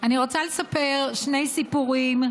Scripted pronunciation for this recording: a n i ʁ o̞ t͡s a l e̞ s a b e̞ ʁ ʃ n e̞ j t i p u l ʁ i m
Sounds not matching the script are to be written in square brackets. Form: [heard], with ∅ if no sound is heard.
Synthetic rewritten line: a n i ʁ o̞ t͡s a l e̞ s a [p] e̞ ʁ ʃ n e̞ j [s] i p u [∅] ʁ i m